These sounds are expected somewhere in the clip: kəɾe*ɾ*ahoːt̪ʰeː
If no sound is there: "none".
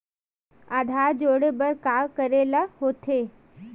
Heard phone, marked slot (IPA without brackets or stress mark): l